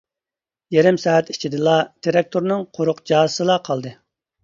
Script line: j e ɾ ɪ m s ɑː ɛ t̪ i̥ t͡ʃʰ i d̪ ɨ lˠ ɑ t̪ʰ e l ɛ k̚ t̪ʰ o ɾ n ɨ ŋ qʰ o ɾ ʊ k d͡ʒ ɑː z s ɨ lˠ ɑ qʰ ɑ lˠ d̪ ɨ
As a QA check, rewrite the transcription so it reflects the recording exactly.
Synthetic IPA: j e ɾ ɪ m s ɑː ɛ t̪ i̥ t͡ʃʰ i d̪ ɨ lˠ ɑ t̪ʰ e ɾ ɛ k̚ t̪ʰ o ɾ n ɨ ŋ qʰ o ɾ ʊ q d͡ʒ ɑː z s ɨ lˠ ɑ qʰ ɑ lˠ d̪ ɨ